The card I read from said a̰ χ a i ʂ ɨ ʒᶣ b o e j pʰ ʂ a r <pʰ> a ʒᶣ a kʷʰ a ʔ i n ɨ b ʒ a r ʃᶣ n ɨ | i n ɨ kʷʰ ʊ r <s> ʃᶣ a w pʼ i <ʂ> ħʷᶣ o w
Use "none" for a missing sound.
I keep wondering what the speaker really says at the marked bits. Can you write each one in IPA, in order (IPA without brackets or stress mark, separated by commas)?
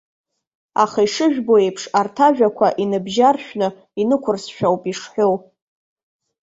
tʰ, s, ʂ